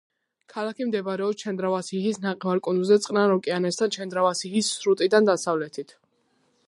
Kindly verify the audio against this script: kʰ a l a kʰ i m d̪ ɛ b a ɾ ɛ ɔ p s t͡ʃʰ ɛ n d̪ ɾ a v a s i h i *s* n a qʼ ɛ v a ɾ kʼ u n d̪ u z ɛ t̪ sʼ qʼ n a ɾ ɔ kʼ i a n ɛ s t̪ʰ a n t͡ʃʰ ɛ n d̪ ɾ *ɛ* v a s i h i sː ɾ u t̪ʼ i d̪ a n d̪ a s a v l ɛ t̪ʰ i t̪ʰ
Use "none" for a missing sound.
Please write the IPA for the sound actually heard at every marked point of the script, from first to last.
s, a

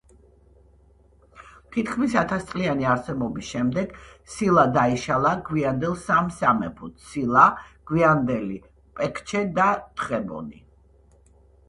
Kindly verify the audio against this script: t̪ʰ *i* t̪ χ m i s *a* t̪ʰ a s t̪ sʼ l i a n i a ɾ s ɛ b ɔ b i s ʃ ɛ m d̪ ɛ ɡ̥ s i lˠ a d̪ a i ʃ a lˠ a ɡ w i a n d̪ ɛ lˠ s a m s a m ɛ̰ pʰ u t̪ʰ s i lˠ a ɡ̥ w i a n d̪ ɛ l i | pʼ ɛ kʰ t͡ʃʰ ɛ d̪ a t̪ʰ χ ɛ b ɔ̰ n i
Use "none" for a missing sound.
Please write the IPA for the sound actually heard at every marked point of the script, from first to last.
i, a

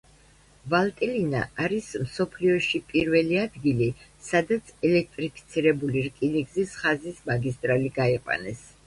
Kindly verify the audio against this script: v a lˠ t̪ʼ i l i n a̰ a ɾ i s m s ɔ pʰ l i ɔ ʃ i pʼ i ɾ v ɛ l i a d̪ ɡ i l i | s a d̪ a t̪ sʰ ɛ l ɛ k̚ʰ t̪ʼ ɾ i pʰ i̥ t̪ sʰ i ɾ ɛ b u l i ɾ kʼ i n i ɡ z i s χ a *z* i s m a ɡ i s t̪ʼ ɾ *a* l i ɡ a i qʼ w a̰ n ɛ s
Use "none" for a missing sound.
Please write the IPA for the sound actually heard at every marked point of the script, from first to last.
z, a

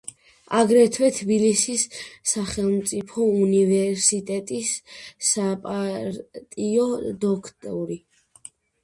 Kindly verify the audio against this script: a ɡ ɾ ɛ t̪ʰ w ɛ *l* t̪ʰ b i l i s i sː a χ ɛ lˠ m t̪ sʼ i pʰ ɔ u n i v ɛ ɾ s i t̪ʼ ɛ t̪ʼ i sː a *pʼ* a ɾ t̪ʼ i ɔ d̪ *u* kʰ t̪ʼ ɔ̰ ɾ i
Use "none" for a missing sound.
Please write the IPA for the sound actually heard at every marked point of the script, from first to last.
none, pʼ, ɔ

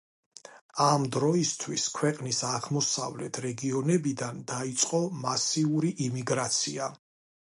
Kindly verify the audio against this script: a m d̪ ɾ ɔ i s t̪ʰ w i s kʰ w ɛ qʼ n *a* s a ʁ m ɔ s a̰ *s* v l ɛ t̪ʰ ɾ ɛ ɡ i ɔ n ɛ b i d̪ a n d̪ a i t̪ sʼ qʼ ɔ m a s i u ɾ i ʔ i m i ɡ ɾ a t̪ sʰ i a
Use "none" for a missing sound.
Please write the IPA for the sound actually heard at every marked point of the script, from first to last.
i, none

